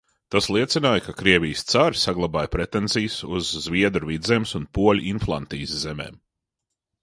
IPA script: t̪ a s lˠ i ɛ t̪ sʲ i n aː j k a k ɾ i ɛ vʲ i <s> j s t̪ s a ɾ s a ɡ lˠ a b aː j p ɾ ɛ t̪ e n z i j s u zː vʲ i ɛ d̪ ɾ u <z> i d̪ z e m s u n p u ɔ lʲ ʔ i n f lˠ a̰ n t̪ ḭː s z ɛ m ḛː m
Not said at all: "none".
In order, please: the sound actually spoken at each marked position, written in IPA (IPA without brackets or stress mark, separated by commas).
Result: none, v